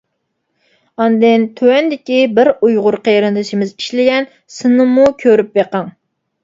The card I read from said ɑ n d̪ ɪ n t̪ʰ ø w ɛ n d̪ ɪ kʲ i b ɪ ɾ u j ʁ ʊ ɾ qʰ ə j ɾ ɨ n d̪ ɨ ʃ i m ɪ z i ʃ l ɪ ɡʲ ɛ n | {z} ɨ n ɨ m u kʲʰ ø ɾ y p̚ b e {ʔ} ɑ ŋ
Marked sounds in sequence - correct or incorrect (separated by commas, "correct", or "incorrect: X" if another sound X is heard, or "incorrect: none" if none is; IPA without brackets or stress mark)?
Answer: incorrect: s, incorrect: q